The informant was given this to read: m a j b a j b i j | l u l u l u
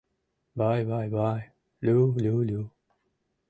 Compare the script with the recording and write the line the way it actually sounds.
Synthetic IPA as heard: b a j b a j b a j | l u l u l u